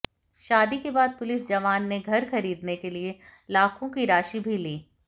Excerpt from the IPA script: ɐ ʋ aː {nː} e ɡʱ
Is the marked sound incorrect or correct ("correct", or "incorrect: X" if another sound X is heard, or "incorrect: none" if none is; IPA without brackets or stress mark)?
correct